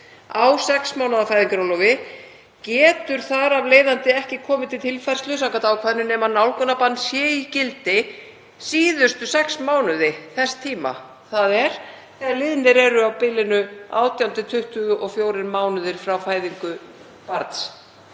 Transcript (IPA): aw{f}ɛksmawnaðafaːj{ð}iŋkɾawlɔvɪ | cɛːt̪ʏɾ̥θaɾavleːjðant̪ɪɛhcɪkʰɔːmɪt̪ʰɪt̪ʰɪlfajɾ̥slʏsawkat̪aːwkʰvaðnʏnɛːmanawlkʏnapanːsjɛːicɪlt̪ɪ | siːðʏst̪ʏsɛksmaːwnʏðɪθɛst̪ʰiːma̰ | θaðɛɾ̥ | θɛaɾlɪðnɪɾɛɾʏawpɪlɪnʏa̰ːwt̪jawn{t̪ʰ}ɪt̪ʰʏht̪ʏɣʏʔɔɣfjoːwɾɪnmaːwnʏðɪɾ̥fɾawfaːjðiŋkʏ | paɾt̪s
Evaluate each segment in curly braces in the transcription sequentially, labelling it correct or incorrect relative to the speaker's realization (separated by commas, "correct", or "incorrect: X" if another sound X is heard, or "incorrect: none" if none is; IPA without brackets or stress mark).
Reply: incorrect: s, correct, incorrect: t̪